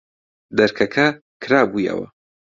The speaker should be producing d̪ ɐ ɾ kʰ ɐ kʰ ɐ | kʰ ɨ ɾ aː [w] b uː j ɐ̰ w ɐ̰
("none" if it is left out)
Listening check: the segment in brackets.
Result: none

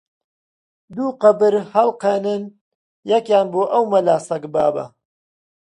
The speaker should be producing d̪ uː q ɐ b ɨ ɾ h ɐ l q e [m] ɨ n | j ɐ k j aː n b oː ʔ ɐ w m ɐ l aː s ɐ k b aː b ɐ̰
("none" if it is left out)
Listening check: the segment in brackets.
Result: n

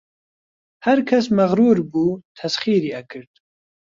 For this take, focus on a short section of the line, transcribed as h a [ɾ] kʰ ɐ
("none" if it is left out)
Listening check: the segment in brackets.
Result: ɾ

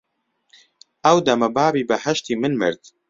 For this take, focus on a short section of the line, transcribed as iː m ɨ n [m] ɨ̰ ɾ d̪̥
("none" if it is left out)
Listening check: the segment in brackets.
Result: m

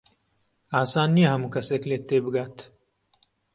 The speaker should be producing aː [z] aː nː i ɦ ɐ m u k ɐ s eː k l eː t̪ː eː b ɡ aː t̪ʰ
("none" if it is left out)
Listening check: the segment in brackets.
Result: s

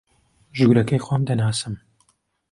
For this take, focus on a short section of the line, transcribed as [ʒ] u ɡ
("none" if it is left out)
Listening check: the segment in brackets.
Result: ʒ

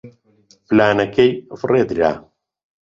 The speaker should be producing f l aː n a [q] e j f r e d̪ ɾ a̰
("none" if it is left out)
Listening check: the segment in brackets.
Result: k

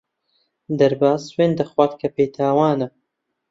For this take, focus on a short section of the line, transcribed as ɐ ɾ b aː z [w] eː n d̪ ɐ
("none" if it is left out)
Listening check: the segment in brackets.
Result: w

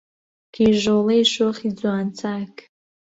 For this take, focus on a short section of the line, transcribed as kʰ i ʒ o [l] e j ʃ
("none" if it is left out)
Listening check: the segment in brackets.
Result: l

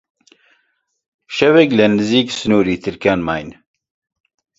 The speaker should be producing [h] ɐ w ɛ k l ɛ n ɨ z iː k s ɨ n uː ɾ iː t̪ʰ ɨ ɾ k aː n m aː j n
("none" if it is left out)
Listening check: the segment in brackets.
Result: ʃ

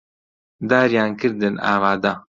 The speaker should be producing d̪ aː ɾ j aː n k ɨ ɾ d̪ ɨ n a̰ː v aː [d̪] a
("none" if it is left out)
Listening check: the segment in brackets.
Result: d̪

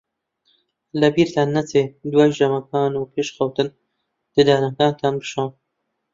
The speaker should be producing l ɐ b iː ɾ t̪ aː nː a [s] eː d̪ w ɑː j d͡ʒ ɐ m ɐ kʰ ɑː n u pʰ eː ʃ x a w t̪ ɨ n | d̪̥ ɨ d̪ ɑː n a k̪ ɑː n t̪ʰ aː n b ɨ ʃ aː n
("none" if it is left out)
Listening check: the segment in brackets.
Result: t͡s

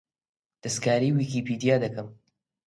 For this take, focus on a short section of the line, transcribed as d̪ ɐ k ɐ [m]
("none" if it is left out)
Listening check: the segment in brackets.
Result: m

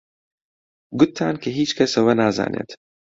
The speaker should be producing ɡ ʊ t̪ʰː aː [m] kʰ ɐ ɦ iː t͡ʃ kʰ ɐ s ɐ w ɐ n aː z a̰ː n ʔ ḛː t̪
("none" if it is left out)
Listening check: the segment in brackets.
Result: n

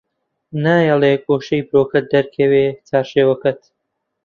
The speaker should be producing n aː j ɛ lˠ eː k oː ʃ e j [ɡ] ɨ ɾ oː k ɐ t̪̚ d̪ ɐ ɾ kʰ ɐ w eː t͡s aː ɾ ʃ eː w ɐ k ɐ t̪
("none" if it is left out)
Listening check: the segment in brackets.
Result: b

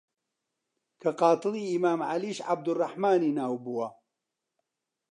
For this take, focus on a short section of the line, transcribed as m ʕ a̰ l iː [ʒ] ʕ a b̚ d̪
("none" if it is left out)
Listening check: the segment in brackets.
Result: ʃ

